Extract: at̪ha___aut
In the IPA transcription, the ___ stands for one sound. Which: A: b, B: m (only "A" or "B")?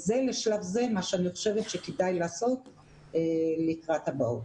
A